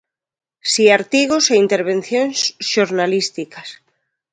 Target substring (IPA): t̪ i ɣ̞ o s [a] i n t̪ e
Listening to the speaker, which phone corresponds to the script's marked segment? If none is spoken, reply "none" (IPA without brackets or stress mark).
e